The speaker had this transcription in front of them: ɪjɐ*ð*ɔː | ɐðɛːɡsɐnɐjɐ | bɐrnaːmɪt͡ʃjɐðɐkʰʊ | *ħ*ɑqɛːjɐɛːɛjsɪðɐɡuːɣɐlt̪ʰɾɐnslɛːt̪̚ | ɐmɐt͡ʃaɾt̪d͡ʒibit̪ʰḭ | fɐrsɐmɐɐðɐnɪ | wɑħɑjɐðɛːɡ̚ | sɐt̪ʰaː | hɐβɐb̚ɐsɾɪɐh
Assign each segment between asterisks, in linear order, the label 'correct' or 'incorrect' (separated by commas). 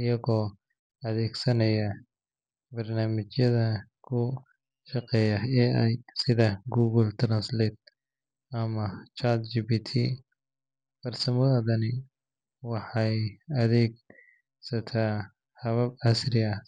incorrect, incorrect